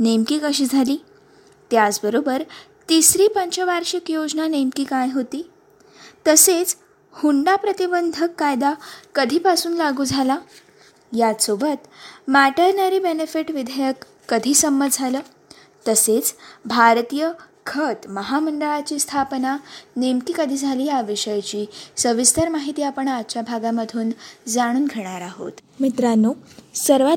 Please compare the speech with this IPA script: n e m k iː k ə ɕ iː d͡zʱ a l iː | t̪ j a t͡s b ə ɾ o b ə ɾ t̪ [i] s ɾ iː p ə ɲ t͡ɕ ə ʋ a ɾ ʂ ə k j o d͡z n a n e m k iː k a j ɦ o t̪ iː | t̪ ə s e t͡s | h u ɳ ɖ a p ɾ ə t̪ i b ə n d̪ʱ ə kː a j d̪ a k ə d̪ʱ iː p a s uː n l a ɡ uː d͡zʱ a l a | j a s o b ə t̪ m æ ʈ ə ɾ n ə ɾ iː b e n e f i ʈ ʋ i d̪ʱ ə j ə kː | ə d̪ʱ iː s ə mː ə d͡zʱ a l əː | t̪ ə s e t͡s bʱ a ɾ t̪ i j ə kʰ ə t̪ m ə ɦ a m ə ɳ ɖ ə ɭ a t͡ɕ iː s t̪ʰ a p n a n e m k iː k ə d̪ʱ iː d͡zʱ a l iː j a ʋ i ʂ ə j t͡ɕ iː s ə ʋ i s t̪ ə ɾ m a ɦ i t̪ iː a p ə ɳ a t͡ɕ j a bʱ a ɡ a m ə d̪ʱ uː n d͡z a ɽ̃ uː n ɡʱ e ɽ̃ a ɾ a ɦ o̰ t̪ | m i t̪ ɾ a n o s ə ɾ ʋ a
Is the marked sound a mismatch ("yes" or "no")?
no